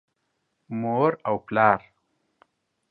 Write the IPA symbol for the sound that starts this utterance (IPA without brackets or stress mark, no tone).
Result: m